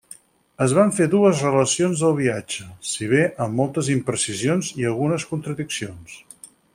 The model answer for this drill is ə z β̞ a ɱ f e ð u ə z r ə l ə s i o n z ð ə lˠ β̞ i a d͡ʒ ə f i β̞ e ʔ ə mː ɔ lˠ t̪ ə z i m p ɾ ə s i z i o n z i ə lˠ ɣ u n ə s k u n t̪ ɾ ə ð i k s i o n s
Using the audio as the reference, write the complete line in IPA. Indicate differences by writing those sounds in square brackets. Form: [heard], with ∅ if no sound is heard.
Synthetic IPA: ə z β̞ a ɱ f e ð u ə z r ə l ə s i o n z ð ə lˠ β̞ i a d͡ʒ ə [s] i β̞ e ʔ ə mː ɔ lˠ t̪ ə z i m p ɾ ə s i z i o n z i ə lˠ ɣ u n ə s k u n t̪ ɾ ə ð i k s i o n s